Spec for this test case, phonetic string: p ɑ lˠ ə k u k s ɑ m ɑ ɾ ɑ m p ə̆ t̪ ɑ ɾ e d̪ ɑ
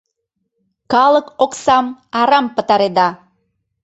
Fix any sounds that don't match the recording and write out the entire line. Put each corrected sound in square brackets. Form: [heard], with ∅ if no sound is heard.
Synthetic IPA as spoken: [k] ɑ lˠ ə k [o] k s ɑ m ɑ ɾ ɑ m p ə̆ t̪ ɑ ɾ e d̪ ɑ